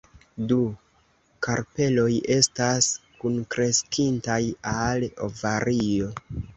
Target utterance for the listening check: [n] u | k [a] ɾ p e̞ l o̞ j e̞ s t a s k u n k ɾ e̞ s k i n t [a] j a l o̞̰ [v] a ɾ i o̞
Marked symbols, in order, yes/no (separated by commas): no, yes, yes, yes